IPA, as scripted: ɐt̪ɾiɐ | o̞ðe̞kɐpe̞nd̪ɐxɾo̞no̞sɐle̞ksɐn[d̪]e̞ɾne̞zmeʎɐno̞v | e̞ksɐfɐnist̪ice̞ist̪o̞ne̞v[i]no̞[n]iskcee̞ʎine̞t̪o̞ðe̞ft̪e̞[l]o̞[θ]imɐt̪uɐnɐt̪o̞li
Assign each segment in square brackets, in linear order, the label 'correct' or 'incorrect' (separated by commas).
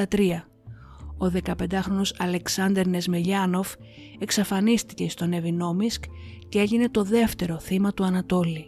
correct, correct, incorrect, incorrect, correct